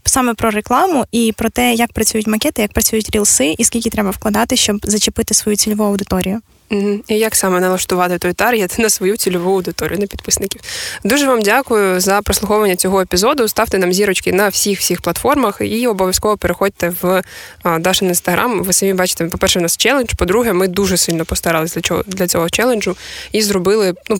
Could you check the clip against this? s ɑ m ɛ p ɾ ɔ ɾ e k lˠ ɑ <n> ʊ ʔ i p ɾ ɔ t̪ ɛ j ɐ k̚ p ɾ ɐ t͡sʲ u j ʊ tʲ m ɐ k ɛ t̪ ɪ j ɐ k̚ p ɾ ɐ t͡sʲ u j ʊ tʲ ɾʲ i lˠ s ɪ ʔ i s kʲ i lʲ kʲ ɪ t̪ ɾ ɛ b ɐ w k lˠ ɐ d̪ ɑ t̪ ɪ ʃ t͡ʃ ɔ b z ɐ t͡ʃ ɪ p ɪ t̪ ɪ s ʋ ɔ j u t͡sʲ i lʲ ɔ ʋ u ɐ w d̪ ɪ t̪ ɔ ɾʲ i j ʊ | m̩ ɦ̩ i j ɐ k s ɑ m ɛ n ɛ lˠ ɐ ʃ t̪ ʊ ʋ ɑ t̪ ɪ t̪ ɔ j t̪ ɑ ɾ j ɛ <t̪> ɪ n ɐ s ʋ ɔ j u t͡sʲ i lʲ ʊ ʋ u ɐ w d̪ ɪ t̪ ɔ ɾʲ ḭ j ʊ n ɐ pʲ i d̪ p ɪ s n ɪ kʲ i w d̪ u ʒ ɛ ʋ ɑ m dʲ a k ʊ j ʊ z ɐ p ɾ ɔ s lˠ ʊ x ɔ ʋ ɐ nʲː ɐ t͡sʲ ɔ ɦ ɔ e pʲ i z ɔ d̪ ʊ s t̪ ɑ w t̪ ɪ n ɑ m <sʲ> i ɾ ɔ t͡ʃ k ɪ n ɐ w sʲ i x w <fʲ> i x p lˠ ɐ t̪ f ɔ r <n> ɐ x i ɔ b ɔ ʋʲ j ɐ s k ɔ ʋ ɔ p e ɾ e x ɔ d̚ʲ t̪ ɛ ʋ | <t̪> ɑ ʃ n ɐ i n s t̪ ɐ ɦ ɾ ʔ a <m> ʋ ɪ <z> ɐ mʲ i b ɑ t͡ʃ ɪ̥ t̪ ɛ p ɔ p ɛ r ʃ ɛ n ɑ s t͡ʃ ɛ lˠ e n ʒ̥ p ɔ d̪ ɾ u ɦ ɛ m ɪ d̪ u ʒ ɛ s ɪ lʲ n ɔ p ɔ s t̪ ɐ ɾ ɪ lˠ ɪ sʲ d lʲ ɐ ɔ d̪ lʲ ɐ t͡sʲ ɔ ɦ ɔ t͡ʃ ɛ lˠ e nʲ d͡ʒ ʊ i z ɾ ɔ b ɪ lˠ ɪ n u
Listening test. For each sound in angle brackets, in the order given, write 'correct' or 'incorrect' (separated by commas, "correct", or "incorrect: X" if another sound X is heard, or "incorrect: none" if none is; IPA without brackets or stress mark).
incorrect: m, correct, incorrect: zʲ, incorrect: sʲ, incorrect: m, incorrect: d̪, correct, incorrect: s